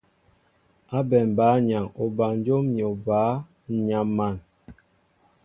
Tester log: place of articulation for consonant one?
labial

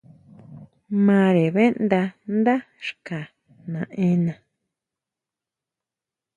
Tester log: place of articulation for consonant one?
labial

